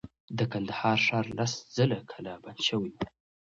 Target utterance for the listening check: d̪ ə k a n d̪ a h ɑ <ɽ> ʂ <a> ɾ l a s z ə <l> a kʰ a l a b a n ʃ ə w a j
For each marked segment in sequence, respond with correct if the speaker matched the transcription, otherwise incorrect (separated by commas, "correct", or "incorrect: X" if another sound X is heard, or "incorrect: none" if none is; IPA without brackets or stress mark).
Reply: incorrect: ɾ, incorrect: ɑ, correct